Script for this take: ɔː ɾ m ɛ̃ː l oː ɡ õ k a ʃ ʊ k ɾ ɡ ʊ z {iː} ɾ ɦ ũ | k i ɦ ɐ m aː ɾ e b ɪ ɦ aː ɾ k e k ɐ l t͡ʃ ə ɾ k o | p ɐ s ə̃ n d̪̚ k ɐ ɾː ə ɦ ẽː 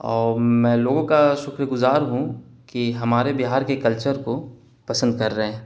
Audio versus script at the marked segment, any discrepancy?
yes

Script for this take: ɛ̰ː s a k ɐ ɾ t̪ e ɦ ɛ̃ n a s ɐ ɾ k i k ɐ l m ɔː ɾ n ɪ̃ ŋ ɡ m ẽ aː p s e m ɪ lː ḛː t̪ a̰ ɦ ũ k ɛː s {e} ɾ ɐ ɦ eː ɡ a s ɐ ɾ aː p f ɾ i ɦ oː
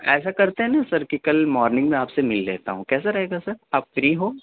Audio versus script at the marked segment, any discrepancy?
yes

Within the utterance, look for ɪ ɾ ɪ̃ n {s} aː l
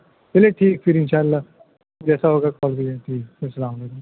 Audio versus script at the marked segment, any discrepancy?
yes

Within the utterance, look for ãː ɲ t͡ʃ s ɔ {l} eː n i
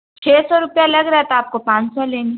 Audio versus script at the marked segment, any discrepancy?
no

